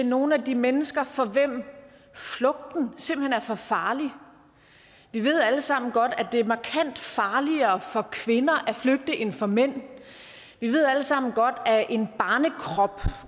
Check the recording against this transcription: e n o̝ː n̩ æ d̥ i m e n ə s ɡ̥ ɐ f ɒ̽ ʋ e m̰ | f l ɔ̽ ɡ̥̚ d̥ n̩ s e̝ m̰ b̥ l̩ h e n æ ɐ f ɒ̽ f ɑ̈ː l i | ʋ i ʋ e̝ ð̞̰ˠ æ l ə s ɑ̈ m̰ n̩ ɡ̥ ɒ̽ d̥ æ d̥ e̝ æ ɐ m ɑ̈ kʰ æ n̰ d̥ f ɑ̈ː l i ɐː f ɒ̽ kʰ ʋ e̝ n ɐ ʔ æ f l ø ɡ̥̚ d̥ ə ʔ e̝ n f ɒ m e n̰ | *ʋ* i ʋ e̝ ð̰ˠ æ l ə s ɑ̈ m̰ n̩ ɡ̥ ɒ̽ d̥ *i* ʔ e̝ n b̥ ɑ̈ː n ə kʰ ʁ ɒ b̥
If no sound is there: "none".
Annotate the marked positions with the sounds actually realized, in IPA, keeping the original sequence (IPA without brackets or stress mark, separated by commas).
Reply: ʋ, æ